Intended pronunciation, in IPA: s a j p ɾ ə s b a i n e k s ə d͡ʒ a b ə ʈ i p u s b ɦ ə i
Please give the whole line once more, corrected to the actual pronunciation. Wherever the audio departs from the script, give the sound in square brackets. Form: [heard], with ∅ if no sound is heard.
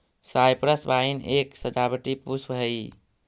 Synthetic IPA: s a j p ɾ ə s b a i n e k s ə d͡ʒ a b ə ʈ i p u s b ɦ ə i